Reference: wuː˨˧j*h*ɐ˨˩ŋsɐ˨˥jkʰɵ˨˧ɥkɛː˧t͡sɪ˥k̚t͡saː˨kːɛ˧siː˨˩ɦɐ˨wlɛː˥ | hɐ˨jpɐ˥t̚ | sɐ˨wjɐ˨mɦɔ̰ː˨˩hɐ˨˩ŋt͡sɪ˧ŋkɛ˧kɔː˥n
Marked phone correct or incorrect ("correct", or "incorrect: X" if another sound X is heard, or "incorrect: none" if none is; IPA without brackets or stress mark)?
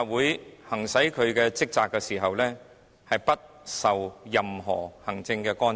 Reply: correct